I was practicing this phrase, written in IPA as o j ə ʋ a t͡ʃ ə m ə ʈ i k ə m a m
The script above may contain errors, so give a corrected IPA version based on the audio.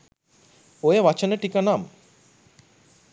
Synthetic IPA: o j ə ʋ a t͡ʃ ə n ə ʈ i k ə n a m